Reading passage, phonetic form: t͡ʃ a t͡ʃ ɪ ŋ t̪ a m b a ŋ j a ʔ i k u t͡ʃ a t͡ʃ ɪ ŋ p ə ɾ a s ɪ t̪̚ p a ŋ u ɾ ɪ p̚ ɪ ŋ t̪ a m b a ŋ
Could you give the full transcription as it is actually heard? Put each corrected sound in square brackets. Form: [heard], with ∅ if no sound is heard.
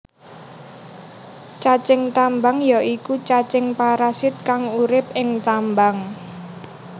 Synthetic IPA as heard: t͡ʃ a t͡ʃ ɪ ŋ t̪ a m b a ŋ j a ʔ i k u t͡ʃ a t͡ʃ ɪ ŋ p [a] ɾ a s ɪ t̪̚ [k] a ŋ u ɾ ɪ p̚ ɪ ŋ t̪ a m b a ŋ